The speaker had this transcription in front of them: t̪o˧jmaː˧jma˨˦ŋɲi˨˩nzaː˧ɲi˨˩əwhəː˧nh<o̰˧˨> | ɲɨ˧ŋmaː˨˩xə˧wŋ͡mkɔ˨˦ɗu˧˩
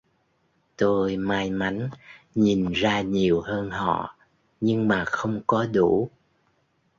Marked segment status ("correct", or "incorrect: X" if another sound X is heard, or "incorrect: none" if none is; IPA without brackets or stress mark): incorrect: ɔ̰˧˨